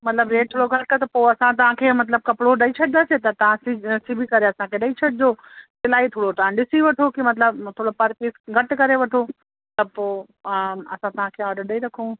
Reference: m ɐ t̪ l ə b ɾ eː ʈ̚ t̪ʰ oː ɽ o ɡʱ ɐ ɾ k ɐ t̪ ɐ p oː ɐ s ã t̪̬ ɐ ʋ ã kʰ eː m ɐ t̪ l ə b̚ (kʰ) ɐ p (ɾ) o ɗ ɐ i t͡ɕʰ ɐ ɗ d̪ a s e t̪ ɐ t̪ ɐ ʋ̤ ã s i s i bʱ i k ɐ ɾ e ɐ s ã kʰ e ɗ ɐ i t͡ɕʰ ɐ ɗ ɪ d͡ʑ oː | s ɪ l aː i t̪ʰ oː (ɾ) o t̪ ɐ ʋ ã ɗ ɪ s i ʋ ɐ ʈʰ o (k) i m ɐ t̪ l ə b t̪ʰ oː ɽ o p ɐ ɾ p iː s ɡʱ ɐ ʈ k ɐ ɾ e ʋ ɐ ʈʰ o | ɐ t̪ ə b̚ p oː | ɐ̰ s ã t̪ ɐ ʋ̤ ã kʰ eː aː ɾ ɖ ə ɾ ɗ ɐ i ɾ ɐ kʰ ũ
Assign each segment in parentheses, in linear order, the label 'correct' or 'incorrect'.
incorrect, incorrect, incorrect, correct

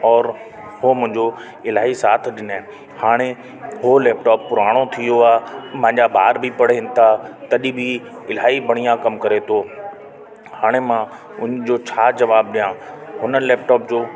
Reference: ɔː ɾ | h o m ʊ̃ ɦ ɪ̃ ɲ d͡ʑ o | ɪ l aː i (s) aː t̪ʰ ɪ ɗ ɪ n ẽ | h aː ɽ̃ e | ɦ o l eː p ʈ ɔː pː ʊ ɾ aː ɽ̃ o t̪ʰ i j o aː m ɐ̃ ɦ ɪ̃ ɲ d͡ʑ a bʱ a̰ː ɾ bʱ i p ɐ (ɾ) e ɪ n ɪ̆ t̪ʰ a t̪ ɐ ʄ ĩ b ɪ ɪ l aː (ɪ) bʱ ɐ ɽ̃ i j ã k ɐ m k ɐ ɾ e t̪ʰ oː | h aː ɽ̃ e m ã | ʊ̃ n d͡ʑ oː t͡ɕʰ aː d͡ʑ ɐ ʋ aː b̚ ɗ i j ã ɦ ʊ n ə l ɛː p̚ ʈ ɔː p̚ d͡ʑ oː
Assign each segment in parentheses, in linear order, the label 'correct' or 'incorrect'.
correct, incorrect, incorrect

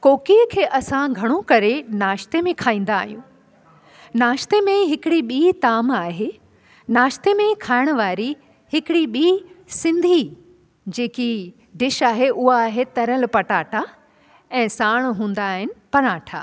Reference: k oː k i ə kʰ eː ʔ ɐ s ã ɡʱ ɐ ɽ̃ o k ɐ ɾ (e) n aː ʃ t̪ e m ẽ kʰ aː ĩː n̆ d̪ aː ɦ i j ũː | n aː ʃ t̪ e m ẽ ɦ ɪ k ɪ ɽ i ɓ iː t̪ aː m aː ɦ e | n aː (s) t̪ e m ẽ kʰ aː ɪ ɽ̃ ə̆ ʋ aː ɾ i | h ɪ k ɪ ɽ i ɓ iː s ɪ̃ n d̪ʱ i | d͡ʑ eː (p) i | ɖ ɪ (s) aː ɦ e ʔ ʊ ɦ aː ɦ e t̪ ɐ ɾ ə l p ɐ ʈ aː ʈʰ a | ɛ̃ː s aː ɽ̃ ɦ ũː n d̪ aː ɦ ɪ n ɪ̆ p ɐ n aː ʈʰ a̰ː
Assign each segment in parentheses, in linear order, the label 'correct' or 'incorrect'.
correct, incorrect, incorrect, incorrect

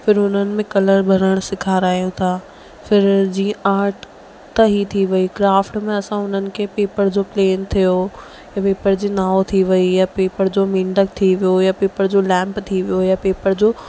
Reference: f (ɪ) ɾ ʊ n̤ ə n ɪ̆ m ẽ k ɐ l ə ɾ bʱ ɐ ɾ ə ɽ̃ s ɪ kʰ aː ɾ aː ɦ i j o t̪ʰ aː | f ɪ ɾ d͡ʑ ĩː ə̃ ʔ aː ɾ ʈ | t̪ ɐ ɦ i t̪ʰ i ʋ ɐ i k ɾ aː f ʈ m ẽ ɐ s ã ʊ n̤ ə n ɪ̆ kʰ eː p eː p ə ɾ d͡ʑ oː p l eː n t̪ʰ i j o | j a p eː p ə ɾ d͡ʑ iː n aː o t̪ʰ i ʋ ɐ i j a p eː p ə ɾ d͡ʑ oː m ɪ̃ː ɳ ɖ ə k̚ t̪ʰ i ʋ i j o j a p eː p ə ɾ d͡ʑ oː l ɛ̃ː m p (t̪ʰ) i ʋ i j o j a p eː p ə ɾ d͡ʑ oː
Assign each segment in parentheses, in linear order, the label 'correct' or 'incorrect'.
correct, correct

